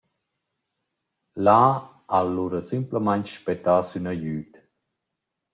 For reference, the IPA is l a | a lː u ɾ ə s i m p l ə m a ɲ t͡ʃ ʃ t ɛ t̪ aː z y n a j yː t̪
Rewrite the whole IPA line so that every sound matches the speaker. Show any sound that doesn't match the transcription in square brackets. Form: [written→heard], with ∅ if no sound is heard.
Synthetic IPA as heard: l a | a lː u ɾ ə s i m p l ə m a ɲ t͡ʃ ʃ [t→p] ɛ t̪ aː [z→s] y n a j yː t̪